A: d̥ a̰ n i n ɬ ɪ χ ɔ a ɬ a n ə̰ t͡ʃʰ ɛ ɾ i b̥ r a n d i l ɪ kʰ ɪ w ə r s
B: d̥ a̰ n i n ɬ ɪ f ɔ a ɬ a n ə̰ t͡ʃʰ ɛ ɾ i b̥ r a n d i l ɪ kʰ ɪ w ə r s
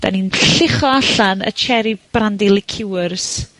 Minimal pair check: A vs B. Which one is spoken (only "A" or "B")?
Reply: A